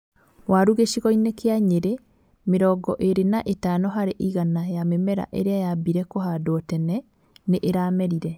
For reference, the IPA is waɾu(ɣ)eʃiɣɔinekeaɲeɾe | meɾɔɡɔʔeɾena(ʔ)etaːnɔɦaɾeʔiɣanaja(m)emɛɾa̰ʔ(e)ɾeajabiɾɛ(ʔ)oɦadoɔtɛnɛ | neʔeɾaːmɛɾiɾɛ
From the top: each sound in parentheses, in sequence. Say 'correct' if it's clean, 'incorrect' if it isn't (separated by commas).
correct, correct, correct, correct, incorrect